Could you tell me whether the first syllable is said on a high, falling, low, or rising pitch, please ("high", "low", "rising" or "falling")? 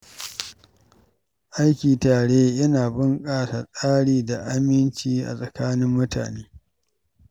high